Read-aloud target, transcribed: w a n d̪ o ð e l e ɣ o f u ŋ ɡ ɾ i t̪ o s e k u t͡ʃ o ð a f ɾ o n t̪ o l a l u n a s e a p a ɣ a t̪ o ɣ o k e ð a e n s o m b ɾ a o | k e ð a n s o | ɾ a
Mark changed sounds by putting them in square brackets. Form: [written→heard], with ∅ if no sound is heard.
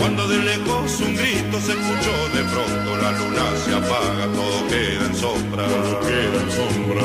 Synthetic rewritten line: w a n d̪ o ð e l e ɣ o [f→s] u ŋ ɡ ɾ i t̪ o s e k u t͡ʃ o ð [a→e] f ɾ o n t̪ o l a l u n a s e a p a ɣ a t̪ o [ɣ→ð] o k e ð a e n s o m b ɾ a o | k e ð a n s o | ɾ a